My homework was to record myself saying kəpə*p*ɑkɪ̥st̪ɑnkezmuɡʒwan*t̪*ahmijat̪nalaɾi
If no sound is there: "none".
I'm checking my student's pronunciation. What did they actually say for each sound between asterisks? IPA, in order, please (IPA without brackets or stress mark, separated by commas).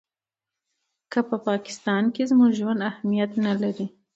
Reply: p, d̪